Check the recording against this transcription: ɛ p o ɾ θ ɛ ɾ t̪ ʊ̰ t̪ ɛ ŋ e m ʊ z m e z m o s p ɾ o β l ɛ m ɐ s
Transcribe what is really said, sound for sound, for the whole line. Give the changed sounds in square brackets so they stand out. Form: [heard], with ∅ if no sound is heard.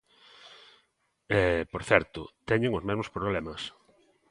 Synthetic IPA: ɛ p o ɾ θ ɛ ɾ t̪ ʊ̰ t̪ ɛ [ɲ] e [ŋ] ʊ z m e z m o s p ɾ o β l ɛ m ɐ s